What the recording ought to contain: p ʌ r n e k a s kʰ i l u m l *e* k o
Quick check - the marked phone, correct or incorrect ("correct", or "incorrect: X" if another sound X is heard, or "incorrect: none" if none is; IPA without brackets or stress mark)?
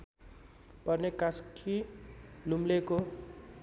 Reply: correct